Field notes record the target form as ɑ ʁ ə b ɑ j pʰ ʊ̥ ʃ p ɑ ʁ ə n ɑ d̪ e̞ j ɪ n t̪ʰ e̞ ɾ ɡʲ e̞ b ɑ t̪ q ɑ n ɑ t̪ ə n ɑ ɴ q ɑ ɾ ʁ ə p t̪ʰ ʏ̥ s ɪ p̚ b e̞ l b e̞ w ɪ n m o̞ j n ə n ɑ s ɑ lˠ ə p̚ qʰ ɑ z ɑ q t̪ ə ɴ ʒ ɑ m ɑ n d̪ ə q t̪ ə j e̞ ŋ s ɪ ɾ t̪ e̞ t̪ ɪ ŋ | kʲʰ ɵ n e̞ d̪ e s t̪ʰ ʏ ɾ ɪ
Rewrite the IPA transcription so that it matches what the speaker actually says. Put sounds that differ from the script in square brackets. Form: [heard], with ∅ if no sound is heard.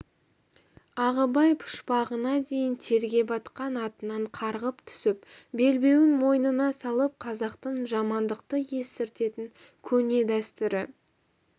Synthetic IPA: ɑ ʁ ə b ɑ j pʰ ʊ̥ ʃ p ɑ ʁ ə n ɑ d̪ e̞ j ɪ n t̪ʰ e̞ ɾ ɡʲ e̞ b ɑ t̪ q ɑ n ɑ t̪ ə n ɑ ɴ [qʰ] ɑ ɾ ʁ ə p t̪ʰ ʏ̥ s ɪ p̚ b e̞ l b e̞ w ɪ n m o̞ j n ə n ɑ s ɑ lˠ ə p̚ qʰ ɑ z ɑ q t̪ ə ɴ ʒ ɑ m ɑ n d̪ ə q t̪ ə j e̞ [∅] s ɪ ɾ t̪ e̞ t̪ ɪ ŋ | kʲʰ ɵ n e̞ d̪ [æ] s [t̪] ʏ ɾ ɪ